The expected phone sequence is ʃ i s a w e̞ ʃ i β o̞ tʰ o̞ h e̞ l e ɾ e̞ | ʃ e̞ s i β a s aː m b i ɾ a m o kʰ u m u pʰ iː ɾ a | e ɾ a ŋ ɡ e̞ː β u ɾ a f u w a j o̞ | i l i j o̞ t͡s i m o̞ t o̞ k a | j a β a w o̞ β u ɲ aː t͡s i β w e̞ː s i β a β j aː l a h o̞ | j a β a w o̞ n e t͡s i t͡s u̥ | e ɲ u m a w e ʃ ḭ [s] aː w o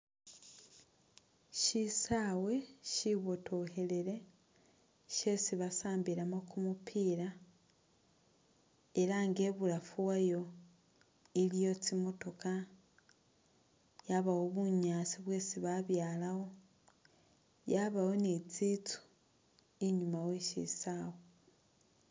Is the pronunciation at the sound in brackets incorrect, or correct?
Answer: correct